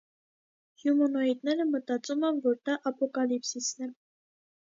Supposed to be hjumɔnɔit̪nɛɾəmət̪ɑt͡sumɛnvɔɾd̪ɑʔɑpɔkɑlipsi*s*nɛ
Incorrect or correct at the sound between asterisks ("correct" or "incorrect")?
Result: correct